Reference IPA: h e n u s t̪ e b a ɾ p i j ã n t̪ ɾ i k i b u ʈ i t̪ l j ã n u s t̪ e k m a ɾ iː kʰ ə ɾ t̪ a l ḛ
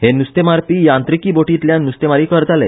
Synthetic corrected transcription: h e n u s t̪ e m a ɾ p i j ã n t̪ ɾ i k i b o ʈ i t̪ l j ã n u s t̪ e m a ɾ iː k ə ɾ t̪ a l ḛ